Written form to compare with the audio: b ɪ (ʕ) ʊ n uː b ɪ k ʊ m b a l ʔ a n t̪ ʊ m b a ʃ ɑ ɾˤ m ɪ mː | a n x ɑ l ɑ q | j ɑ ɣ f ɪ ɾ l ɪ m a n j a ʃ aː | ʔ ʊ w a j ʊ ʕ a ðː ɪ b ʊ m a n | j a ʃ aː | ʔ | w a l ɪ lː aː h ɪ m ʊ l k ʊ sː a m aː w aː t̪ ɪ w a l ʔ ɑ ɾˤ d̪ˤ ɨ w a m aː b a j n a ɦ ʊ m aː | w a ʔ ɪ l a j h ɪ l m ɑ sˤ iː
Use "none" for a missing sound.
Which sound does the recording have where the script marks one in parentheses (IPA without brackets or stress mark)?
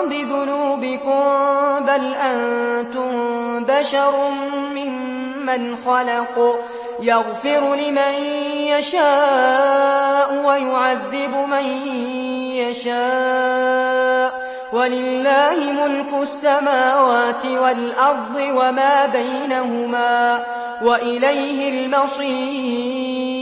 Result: ð